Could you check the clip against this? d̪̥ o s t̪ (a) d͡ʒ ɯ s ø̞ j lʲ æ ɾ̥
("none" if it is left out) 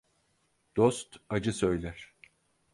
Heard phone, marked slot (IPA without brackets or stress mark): a